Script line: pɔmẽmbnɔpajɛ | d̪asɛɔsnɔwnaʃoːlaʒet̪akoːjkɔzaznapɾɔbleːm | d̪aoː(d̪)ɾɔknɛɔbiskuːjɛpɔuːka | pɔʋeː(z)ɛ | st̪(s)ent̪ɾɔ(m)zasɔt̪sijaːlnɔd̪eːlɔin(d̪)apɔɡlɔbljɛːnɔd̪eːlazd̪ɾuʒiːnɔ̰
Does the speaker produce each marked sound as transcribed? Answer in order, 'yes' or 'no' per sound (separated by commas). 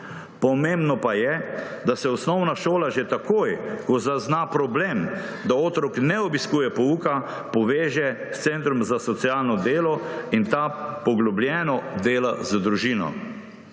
no, no, yes, yes, no